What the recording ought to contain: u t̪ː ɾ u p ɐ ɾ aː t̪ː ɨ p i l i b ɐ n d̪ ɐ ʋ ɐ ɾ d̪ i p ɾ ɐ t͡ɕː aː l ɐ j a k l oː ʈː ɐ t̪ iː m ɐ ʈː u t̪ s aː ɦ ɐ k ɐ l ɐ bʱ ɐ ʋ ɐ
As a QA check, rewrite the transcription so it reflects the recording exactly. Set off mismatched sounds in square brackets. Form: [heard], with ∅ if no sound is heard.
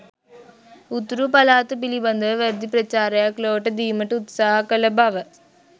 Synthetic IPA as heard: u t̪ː ɾ u p ɐ [l] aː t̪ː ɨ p i l i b ɐ n d̪ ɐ ʋ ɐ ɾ d̪ i p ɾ ɐ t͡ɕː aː [ɾ] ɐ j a k l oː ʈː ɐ [d̪] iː m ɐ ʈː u t̪ s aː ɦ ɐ k ɐ l ɐ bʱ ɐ ʋ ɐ